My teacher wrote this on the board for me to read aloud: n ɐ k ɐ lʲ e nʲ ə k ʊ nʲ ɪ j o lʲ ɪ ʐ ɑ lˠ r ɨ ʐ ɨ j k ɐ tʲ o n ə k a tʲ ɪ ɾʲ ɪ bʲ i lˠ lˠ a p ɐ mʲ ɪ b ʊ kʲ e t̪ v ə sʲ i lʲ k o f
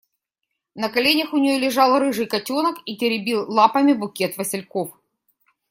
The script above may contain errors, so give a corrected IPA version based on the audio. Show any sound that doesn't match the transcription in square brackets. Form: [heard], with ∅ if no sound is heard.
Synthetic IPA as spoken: n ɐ k ɐ lʲ e nʲ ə [x] ʊ nʲ ɪ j o lʲ ɪ ʐ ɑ lˠ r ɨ ʐ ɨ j k ɐ tʲ o n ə k [i] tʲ ɪ ɾʲ ɪ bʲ i lˠ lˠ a p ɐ mʲ ɪ b ʊ kʲ e t̪ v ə sʲ [ɪ] lʲ k o f